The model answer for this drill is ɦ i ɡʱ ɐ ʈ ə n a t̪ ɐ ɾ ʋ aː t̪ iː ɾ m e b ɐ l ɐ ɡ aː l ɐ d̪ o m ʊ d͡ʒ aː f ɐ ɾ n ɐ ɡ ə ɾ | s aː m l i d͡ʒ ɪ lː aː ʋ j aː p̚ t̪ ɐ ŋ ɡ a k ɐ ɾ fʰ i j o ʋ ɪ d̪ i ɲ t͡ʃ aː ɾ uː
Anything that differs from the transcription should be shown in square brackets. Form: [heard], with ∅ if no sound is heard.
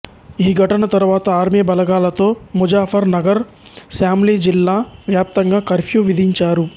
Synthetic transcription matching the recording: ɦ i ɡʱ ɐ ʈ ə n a t̪ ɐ ɾ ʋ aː t̪ [aː] ɾ m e b ɐ l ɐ ɡ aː l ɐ [t̪] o m ʊ d͡ʒ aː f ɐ ɾ n ɐ ɡ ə ɾ | s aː m l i d͡ʒ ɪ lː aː ʋ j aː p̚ t̪ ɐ ŋ ɡ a k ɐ ɾ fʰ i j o ʋ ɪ d̪ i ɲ t͡ʃ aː ɾ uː